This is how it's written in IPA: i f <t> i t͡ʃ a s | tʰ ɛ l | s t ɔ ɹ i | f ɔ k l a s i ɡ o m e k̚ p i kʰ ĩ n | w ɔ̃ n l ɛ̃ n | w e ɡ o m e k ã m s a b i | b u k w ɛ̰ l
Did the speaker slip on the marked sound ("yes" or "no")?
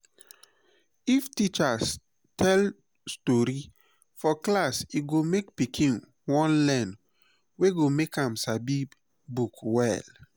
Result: no